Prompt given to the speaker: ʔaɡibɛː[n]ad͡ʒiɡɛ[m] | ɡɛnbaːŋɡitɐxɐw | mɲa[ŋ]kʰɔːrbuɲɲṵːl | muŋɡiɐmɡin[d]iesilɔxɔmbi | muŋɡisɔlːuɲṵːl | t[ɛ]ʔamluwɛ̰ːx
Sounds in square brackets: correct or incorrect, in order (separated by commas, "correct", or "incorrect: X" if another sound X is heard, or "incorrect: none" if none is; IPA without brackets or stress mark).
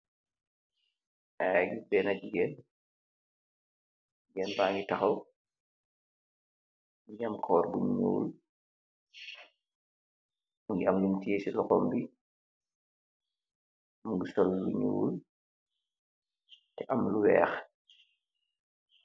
correct, incorrect: n, incorrect: m, incorrect: t, correct